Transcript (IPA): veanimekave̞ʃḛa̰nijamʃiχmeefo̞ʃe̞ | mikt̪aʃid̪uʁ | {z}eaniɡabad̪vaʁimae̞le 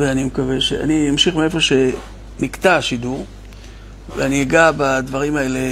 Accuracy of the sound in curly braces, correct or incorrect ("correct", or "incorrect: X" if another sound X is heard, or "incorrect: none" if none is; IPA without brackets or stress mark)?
incorrect: v